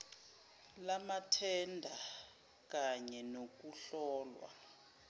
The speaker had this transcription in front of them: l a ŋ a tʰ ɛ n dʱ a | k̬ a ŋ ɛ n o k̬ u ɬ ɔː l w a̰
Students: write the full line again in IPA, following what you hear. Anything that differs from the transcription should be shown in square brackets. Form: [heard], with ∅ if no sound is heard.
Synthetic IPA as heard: l a [m] a tʰ ɛ n dʱ a | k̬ a [ɲ] ɛ n o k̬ u ɬ ɔː l w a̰